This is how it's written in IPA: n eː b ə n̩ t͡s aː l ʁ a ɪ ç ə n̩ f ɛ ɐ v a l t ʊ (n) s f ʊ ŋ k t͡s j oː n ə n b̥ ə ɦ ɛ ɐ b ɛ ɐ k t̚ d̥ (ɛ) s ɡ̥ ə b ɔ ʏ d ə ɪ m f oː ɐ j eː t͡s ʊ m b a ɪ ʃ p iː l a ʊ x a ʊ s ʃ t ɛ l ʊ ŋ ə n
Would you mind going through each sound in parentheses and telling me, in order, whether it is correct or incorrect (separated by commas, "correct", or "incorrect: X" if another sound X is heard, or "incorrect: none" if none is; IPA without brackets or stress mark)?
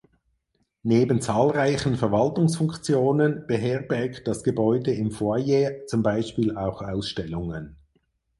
incorrect: ŋ, incorrect: a